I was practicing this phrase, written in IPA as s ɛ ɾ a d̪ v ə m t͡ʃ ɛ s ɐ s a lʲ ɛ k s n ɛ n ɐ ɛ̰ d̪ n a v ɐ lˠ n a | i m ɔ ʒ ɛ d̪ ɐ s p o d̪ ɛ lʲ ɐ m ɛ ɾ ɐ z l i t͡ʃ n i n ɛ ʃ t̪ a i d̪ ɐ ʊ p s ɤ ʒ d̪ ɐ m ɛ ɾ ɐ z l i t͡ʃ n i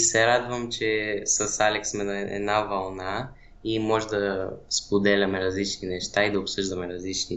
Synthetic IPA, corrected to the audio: s ɛ ɾ a d̪ v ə m t͡ʃ ɛ s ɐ s a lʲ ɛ k s m ɛ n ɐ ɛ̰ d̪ n a v ɐ lˠ n a | i m ɔ ʒ ɛ d̪ ɐ s p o d̪ ɛ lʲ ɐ m ɛ ɾ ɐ z l i t͡ʃ n i n ɛ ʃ t̪ a i d̪ ɐ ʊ p s ɤ ʒ d̪ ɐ m ɛ ɾ ɐ z l i t͡ʃ n i